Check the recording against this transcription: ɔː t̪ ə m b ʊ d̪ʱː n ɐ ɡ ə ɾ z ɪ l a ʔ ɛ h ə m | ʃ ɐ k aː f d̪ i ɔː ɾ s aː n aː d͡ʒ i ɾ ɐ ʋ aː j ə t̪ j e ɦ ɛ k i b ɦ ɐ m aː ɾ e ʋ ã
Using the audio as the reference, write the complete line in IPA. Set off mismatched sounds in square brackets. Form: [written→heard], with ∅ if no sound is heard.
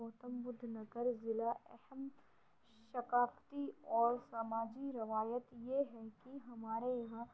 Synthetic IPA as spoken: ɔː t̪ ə m b ʊ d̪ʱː n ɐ ɡ ə ɾ z ɪ l a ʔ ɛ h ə m | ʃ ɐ k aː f [d̪→t̪] i ɔː ɾ s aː [n→m] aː d͡ʒ i ɾ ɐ ʋ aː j ə t̪ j e ɦ ɛ k i [b→∅] ɦ ɐ m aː ɾ e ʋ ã